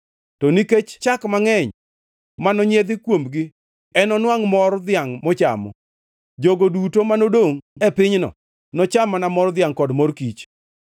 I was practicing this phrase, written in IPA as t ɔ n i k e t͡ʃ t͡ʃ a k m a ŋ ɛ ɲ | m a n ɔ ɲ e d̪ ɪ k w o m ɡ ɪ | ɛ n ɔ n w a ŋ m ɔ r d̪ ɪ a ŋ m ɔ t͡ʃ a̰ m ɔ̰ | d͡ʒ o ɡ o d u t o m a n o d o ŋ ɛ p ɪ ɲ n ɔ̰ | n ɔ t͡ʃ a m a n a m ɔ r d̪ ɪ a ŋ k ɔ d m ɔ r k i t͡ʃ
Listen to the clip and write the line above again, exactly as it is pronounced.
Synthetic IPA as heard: t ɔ n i k e t͡ʃ t͡ʃ a k m a ŋ ɛ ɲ | m a n ɔ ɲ e d̪ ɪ k w o m ɡ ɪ | ɛ n ɔ n w a ŋ m ɔ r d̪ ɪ a ŋ m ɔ t͡ʃ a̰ m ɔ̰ | d͡ʒ o ɡ o d u t o m a n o d o ŋ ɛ p ɪ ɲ n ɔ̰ | n ɔ t͡ʃ a m a n a m ɔ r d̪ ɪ a ŋ k ɔ d m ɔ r k i t͡ʃ